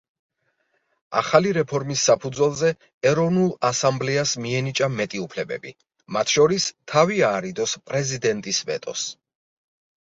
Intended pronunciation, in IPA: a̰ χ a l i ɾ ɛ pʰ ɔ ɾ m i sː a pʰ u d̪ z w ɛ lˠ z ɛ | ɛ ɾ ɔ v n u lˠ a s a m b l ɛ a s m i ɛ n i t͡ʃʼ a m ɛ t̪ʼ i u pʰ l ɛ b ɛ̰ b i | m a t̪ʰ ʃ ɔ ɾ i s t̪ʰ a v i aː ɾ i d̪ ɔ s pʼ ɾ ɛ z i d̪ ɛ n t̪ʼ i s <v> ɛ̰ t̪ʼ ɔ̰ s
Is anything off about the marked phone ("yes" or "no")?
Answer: no